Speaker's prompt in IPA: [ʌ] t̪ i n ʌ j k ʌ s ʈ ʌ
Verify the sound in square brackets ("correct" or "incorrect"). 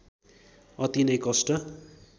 correct